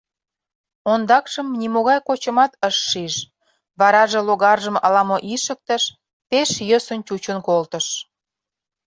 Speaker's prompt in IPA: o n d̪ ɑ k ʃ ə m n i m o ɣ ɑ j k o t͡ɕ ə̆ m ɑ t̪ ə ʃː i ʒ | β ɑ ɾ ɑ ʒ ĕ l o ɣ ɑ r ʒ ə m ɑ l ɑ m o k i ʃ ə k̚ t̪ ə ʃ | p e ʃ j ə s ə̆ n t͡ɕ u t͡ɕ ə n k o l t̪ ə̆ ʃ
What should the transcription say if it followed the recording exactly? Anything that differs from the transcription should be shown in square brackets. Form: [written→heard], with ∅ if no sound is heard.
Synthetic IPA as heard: o n d̪ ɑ k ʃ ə m n i m o ɣ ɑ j k o t͡ɕ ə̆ m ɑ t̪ ə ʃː i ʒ | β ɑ ɾ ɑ ʒ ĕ l o ɣ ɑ r ʒ ə m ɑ l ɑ m o [k→ʔ] i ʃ ə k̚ t̪ ə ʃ | p e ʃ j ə s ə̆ n t͡ɕ u t͡ɕ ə n k o l t̪ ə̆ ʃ

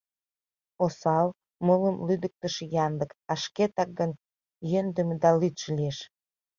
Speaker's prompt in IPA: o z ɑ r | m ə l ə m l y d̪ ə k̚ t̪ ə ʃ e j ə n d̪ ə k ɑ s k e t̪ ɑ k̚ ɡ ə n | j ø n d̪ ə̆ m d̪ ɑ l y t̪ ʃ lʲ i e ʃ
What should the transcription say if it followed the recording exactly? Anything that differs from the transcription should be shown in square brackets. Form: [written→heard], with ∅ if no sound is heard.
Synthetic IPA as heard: o [z→s] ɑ [r→l] | m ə l ə m l y d̪ ə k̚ t̪ ə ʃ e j [ə→ɑ] n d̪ ə k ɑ [s→ʃ] k e t̪ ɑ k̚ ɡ ə n | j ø n d̪ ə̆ m d̪ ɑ l y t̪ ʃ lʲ i e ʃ

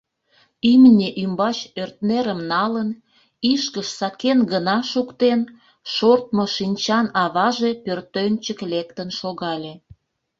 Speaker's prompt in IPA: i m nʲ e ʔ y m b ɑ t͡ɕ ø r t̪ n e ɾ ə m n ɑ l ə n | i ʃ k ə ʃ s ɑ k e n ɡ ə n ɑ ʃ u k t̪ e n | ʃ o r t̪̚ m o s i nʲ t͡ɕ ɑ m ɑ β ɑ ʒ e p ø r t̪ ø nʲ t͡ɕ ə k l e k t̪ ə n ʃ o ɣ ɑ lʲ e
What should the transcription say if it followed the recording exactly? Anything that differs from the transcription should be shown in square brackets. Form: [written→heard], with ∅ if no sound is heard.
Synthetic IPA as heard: i m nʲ e ʔ y m b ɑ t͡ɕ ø r t̪ n e ɾ ə m n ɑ l ə n | i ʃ k ə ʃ s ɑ k e n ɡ ə n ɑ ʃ u k t̪ e n | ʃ o r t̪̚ m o [s→ʃ] i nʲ t͡ɕ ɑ [m→n] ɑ β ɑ ʒ e p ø r t̪ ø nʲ t͡ɕ ə k l e k t̪ ə n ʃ o ɣ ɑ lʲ e

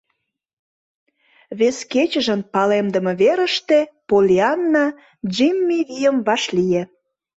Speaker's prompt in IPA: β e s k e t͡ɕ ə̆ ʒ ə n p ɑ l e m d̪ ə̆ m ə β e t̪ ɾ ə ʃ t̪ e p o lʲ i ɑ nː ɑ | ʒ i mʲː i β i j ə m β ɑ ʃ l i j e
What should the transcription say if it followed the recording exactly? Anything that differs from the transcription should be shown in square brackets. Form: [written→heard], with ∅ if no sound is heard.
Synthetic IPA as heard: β e s k e t͡ɕ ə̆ ʒ ə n p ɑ l e m d̪ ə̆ m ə β e [t̪→∅] ɾ ə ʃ t̪ e p o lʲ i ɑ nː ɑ | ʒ i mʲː i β i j ə m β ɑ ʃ l i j e

